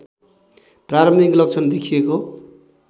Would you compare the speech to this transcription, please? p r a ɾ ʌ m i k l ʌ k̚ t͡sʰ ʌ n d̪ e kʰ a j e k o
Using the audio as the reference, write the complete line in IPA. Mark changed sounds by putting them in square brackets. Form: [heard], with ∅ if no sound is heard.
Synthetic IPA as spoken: p r a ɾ ʌ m i k l ʌ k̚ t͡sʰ ʌ n d̪ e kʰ [i] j e k o